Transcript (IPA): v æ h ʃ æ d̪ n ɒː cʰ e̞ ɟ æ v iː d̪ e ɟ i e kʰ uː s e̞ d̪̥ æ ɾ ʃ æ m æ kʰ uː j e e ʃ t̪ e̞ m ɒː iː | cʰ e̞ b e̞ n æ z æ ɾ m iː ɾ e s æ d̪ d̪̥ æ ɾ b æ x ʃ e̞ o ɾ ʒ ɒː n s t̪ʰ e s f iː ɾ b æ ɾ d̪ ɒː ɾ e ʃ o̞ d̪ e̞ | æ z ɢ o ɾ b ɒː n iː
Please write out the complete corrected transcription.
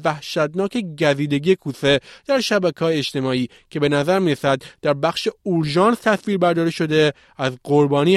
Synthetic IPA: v æ h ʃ æ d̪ n ɒː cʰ e̞ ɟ æ z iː d̪ e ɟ i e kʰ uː s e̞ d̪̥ æ ɾ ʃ æ b æ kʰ ɒː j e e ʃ t̪ e̞ m ɒː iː | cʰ e̞ b e̞ n æ z æ ɾ m iː ɾ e s æ d̪ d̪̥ æ ɾ b æ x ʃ e̞ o ɾ ʒ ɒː n s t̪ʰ æ s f iː ɾ b æ ɾ d̪ ɒː ɾ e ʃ o̞ d̪ e̞ | æ z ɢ o ɾ b ɒː n iː